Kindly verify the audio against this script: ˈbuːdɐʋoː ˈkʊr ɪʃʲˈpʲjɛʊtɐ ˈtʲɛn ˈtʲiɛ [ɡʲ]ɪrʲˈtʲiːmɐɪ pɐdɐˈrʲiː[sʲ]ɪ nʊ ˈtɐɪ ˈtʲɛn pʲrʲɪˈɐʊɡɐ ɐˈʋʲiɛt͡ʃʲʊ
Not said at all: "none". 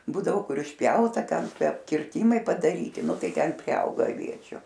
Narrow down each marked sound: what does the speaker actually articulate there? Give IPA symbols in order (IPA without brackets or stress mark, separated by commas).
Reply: kʲ, tʲ